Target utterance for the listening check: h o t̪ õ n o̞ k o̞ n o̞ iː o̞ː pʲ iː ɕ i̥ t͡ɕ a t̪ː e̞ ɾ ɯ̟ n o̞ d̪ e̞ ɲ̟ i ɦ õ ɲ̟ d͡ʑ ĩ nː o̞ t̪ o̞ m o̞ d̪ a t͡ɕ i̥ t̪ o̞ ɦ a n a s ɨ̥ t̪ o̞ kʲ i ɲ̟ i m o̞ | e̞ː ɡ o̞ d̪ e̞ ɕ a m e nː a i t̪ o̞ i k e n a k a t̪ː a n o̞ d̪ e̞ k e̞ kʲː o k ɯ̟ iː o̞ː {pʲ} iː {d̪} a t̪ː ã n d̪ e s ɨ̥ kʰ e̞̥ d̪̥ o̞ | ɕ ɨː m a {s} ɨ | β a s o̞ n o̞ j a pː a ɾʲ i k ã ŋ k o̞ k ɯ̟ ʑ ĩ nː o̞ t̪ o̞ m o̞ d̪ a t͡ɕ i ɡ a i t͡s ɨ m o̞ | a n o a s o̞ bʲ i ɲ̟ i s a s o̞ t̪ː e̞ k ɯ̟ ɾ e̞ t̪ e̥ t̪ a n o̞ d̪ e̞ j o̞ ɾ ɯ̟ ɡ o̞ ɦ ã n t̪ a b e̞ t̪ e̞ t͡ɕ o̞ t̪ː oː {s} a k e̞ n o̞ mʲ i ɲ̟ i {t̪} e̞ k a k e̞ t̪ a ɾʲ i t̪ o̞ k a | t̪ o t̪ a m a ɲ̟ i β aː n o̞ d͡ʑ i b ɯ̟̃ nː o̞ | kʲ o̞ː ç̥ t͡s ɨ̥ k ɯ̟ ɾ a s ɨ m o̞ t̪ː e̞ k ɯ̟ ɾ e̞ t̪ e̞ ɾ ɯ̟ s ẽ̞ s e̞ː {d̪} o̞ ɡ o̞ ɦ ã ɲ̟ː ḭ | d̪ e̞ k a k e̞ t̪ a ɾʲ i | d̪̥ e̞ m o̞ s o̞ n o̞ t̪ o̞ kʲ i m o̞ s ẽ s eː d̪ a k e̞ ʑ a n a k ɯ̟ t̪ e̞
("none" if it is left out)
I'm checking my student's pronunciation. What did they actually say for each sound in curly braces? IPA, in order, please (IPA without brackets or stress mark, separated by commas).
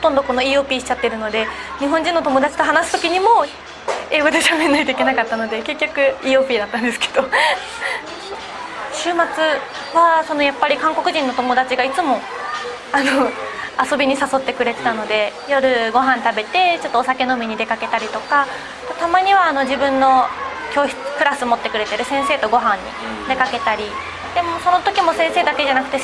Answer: pʲ, d̪, t͡s, s, d̪, t̪